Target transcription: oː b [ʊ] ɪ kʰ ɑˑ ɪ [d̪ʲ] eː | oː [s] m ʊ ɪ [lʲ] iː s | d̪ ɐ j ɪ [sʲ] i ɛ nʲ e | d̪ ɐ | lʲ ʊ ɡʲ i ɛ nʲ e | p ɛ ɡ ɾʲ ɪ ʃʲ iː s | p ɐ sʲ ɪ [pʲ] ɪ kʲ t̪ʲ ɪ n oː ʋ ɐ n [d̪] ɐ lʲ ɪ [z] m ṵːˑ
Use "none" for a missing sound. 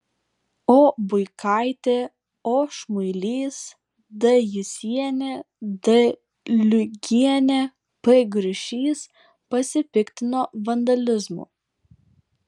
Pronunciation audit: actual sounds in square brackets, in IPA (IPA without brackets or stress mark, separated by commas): ʊ, t̪ʲ, ʃ, lʲ, sʲ, pʲ, d̪, z